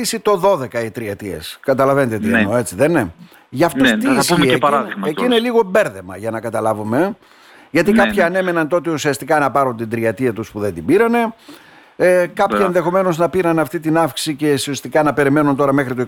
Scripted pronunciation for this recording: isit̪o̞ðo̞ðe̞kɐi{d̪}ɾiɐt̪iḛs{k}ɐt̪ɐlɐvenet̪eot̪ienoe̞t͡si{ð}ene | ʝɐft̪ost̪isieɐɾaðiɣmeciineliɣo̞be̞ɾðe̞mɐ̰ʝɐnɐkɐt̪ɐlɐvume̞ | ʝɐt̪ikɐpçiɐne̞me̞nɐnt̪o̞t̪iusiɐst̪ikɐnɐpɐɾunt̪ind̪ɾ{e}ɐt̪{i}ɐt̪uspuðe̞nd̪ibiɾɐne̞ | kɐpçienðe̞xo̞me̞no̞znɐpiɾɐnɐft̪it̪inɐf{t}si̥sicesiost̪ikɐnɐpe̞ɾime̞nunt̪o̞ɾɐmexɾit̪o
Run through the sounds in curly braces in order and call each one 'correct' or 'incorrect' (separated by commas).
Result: incorrect, correct, correct, incorrect, correct, incorrect